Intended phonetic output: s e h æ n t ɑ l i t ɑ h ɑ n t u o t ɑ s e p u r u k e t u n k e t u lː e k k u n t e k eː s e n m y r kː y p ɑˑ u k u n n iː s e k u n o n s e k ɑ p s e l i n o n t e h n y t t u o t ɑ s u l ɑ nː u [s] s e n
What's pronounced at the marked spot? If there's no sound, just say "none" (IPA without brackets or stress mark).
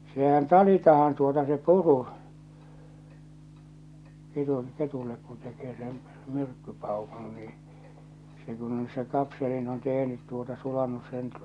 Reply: s